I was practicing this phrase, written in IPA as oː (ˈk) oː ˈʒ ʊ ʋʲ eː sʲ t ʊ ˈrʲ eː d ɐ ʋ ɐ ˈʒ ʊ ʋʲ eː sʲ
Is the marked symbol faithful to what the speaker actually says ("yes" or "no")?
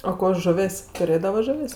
yes